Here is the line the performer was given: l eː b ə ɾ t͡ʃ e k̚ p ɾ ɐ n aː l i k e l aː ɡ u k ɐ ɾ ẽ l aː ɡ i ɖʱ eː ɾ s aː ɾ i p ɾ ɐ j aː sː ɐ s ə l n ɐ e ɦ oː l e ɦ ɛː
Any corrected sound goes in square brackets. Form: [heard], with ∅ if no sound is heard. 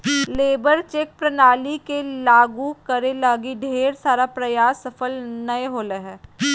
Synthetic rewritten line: l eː b ə ɾ t͡ʃ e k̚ p ɾ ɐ n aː l i k e l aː ɡ u k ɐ ɾ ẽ l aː ɡ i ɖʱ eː ɾ s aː ɾ [a] p ɾ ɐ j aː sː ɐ [f] ə l n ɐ e ɦ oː l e ɦ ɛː